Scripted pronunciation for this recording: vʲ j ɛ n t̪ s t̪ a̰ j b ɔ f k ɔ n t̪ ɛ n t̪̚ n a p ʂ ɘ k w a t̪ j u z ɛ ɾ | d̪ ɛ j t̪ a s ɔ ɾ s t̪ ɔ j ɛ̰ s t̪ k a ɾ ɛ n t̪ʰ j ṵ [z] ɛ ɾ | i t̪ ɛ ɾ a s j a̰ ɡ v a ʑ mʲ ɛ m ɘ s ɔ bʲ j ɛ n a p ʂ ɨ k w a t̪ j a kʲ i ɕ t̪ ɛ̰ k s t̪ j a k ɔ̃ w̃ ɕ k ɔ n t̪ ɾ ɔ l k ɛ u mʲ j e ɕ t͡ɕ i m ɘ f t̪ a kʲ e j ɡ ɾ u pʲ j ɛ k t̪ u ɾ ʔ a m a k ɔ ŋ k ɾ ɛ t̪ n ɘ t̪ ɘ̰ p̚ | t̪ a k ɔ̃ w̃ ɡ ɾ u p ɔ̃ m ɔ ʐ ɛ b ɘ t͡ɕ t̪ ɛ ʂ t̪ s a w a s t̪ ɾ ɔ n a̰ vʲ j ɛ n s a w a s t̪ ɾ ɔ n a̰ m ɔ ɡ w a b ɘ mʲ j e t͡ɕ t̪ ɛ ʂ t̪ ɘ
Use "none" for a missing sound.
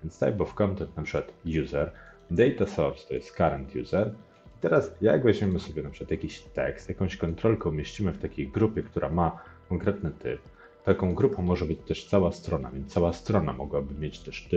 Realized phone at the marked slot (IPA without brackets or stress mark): z